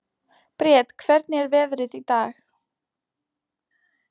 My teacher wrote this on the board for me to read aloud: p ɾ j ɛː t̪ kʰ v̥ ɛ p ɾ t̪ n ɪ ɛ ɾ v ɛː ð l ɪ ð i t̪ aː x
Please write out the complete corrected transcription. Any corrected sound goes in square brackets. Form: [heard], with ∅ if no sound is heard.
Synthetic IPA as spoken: p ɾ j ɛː t̪ kʰ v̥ ɛ [∅] ɾ t̪ n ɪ ɛ ɾ v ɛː ð [ɾ] ɪ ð i t̪ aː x